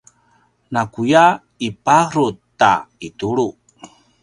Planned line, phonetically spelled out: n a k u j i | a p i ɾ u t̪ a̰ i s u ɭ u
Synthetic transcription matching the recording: n a k u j a | i p a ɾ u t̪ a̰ i t u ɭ u